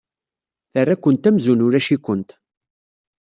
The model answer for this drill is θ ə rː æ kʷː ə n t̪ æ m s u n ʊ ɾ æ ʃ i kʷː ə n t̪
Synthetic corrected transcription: θ ə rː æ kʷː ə n t̪ æ m z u n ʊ ɾ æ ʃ i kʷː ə n t̪